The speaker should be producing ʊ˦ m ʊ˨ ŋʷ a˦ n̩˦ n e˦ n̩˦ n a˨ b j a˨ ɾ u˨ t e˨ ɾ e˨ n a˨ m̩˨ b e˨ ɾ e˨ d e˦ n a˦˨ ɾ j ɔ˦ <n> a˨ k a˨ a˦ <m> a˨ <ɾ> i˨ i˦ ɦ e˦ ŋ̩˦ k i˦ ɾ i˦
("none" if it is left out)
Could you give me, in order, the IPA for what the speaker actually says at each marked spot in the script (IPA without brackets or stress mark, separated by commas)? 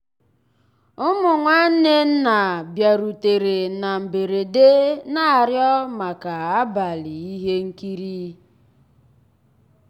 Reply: m, b, l